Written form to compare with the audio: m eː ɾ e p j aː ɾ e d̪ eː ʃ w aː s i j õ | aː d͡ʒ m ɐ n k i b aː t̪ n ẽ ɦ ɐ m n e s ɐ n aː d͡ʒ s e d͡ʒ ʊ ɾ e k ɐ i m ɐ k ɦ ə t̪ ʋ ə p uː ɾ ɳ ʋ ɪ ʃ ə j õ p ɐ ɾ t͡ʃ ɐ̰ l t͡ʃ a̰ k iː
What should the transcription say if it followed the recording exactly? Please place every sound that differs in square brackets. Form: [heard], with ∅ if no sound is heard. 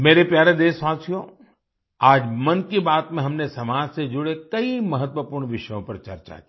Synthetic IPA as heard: m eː ɾ e p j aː ɾ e d̪ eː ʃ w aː s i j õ | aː d͡ʒ m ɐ n k i b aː t̪ [m] ẽ ɦ ɐ m n e s ɐ [m] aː d͡ʒ s e d͡ʒ ʊ [ɽ] e k ɐ i m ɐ [∅] ɦ ə t̪ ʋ ə p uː ɾ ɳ ʋ ɪ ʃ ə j õ p ɐ ɾ t͡ʃ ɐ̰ [ɾ] t͡ʃ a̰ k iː